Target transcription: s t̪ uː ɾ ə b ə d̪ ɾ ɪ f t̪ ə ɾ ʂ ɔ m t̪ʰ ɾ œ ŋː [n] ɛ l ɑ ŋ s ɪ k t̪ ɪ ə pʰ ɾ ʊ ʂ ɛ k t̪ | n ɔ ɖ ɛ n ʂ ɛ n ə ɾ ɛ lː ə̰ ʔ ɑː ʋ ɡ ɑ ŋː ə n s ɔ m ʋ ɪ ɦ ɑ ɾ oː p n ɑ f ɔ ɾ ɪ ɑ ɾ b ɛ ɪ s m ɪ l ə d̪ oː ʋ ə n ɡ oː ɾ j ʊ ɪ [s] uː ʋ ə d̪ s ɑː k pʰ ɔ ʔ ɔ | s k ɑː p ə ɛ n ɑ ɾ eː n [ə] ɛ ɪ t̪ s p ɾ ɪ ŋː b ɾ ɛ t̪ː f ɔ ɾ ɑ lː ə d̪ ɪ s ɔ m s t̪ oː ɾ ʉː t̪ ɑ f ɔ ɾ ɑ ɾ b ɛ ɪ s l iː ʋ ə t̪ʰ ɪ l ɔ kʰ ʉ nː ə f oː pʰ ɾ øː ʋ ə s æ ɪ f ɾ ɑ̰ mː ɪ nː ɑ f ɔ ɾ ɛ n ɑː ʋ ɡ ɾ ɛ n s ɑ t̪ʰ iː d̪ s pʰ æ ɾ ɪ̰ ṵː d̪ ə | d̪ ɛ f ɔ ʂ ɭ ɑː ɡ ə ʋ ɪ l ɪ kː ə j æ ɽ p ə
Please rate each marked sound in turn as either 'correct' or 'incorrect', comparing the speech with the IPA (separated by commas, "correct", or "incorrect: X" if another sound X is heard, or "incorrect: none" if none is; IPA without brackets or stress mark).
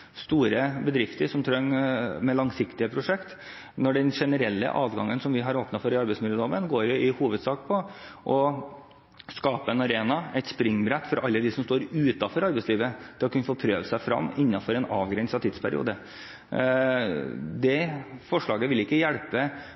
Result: incorrect: m, incorrect: h, incorrect: ɑ